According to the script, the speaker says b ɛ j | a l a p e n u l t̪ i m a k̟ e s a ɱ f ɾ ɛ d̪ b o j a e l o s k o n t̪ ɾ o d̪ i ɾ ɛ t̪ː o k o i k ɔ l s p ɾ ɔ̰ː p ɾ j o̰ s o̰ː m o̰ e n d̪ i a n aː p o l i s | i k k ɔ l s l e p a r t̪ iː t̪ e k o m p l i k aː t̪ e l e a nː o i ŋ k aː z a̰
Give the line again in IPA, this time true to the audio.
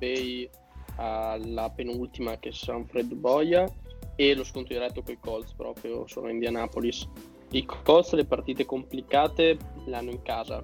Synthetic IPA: b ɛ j | a l a p e n u l t̪ i m a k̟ e s a ɱ f ɾ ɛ d̪ b ɔ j a e l o s k o n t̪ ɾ o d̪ i ɾ ɛ t̪ː o k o i k ɔ l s p ɾ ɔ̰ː p ɾ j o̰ s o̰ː n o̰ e n d̪ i a n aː p o l i s | i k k ɔ l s l e p a r t̪ iː t̪ e k o m p l i k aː t̪ e l e a nː o i ŋ k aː z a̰